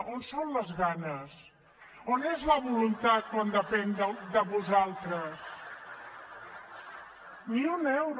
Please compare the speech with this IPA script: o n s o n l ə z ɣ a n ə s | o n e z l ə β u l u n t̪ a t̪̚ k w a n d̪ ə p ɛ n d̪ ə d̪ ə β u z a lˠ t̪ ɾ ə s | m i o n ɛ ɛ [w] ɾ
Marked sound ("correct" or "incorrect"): correct